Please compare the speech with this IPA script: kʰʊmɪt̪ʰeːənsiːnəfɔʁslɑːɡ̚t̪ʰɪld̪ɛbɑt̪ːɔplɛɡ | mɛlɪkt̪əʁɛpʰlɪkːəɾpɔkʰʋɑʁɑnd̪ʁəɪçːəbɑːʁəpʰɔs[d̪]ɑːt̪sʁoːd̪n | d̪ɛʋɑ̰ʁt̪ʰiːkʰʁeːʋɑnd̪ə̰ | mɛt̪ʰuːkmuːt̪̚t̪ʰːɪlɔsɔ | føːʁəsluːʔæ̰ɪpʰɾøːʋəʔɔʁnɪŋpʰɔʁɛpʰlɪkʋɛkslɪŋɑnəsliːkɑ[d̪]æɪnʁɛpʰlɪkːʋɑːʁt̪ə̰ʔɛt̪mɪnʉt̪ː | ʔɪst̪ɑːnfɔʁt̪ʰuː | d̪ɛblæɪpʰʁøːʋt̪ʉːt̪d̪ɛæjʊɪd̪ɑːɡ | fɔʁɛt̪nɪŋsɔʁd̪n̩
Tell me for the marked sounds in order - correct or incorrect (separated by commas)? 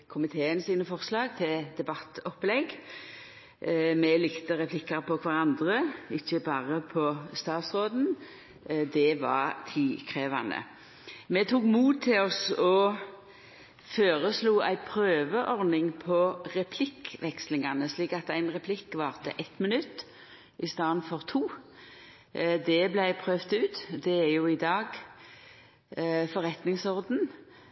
incorrect, incorrect